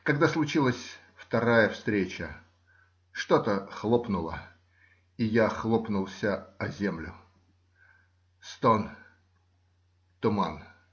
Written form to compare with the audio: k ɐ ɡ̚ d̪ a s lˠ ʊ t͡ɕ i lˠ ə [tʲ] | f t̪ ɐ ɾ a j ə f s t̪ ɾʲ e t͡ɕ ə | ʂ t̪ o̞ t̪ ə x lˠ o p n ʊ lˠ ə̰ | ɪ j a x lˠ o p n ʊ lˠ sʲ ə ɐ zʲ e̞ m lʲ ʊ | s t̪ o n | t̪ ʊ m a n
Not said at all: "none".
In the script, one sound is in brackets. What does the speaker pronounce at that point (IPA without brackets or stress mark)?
sʲ